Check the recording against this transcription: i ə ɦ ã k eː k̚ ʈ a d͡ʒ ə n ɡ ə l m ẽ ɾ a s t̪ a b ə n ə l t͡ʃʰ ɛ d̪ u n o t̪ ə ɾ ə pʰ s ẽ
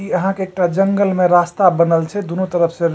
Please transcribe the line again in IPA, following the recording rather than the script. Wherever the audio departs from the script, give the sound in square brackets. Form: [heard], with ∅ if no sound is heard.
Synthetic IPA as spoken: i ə ɦ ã k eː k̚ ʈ a d͡ʒ ə [ŋ] ɡ ə l m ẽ ɾ a s t̪ a b ə n ə l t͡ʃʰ ɛ d̪ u n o t̪ ə ɾ ə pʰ s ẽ